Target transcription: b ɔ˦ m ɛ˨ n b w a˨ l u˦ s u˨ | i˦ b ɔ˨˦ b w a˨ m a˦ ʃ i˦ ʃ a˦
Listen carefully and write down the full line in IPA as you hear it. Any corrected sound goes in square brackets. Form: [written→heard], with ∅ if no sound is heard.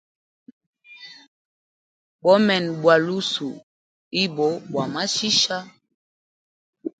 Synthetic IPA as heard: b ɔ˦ m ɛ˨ n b w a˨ l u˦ s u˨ | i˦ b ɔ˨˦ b w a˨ m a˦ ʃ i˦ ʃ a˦